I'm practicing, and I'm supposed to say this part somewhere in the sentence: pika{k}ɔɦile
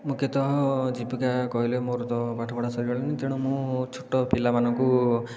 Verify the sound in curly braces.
correct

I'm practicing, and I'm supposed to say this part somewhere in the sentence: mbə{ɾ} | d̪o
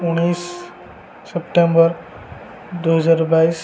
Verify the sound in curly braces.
correct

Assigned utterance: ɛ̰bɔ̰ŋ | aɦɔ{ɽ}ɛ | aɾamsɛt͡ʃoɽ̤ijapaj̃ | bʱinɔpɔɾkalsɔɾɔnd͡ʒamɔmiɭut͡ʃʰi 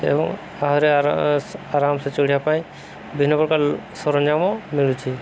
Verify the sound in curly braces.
incorrect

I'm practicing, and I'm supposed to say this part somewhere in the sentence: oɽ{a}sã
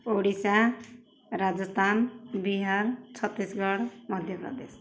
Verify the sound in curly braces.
incorrect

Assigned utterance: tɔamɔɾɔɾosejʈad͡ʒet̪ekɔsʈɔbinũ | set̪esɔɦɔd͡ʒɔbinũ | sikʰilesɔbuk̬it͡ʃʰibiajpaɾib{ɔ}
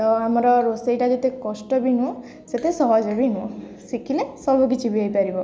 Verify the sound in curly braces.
correct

